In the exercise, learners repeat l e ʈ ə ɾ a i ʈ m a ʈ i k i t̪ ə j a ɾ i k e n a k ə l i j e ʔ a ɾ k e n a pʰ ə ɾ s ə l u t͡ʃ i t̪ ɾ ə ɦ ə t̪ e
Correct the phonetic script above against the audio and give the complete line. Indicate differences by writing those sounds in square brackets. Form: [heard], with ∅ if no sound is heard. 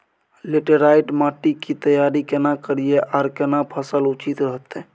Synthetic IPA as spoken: l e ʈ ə ɾ a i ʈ m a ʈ i k i t̪ ə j a ɾ i k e n a k ə [ɾ] i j e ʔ a ɾ k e n a pʰ ə [∅] s ə l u t͡ʃ i t̪ ɾ ə ɦ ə t̪ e